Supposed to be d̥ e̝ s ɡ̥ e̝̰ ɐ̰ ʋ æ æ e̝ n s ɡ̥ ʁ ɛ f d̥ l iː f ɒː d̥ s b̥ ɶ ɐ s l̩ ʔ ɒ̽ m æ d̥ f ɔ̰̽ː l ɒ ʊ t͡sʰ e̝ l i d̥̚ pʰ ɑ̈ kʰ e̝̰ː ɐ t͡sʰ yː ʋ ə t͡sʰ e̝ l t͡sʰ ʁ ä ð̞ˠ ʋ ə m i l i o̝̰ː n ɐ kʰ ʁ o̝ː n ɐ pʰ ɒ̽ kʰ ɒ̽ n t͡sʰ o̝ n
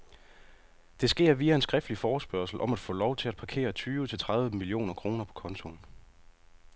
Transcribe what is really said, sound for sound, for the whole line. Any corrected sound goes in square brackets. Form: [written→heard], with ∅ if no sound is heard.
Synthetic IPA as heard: d̥ e̝ s ɡ̥ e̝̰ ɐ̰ ʋ [æ→i] æ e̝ n s ɡ̥ ʁ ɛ f d̥ l [iː→i] f ɒː [d̥→∅] s b̥ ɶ ɐ s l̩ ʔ ɒ̽ m æ d̥ f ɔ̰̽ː l ɒ ʊ t͡sʰ e̝ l [i→æ] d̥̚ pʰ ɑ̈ kʰ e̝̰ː ɐ t͡sʰ yː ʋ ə t͡sʰ e̝ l t͡sʰ ʁ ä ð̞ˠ ʋ ə m i l i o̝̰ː n ɐ kʰ ʁ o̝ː n ɐ pʰ ɒ̽ kʰ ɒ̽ n t͡sʰ o̝ n